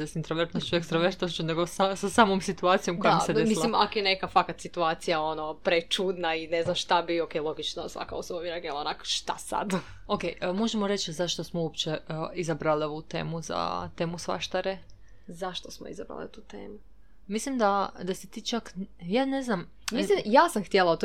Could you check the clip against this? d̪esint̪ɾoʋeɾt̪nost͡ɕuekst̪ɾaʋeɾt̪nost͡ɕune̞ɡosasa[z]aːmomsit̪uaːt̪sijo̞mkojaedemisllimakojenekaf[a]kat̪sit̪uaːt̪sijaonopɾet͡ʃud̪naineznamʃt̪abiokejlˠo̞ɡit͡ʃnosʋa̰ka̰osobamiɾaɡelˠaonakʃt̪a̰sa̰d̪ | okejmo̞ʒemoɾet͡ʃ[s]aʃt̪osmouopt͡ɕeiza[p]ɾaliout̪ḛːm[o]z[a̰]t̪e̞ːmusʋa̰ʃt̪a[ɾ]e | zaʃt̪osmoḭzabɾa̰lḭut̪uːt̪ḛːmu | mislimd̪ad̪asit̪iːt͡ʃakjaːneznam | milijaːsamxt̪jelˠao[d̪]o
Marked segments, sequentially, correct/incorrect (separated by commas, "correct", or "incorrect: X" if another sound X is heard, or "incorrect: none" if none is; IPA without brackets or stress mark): incorrect: s, correct, incorrect: z, incorrect: b, incorrect: u, correct, correct, incorrect: t̪